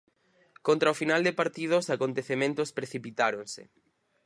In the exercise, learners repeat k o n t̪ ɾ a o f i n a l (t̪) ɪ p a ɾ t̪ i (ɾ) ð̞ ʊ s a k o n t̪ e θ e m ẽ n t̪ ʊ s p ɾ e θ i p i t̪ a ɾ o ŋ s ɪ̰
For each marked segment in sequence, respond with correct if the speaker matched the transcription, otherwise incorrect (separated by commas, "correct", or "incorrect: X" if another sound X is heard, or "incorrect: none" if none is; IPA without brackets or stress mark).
incorrect: d̪, incorrect: none